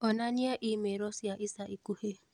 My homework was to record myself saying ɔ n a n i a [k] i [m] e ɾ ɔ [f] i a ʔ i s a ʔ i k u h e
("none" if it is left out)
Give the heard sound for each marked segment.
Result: ʔ, m, s

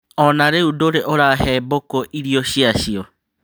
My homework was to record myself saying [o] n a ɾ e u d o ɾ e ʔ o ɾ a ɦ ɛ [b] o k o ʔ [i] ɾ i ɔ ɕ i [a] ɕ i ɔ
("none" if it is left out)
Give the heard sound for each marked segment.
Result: ɔ, b, i, a

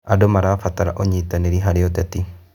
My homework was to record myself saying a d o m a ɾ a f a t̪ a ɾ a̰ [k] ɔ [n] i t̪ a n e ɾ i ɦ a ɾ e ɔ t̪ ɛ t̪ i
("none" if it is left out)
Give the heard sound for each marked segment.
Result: ʔ, ɲ

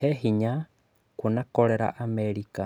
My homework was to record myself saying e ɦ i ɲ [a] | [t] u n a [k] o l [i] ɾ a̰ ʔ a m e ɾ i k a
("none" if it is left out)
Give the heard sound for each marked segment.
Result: a, k, k, e

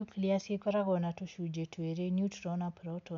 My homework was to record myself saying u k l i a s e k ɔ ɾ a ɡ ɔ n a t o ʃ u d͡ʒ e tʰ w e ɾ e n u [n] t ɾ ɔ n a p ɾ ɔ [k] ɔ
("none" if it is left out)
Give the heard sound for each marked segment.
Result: none, t

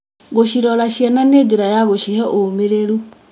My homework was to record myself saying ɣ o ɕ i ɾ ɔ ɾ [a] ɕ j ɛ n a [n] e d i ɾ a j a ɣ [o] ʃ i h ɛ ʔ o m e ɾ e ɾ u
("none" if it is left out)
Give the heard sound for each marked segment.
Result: a, n, o

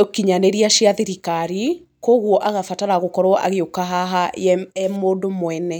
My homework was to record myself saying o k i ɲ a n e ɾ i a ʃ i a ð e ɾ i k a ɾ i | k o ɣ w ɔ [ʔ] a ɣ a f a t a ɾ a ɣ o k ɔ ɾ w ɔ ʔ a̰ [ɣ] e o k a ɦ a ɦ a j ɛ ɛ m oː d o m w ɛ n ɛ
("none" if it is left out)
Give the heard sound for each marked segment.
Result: ʔ, ɣ

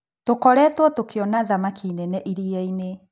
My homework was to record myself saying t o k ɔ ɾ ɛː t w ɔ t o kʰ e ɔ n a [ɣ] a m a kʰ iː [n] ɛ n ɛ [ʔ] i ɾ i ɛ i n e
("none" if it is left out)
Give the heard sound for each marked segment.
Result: ð, n, ʔ

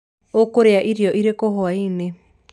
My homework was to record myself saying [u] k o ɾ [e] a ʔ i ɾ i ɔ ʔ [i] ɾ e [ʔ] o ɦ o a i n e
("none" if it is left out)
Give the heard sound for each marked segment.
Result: o, e, i, k

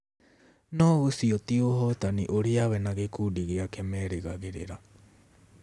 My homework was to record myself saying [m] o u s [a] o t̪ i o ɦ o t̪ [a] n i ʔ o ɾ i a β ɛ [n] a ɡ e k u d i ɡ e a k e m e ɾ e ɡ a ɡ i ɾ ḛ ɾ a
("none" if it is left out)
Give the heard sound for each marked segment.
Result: n, i, a, n

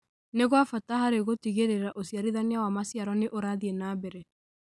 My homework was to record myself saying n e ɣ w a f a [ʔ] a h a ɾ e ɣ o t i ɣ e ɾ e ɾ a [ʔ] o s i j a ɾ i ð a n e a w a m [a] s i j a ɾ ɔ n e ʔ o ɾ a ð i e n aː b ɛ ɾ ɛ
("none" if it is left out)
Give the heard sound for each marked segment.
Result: t, ʔ, a

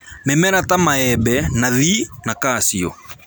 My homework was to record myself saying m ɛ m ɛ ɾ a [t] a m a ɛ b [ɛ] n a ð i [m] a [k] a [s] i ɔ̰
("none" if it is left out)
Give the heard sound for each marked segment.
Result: t, ɛ, n, k, s

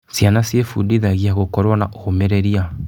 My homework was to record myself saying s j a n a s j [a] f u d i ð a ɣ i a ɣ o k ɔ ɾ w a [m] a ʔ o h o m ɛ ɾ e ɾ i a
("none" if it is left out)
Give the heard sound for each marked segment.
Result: e, n

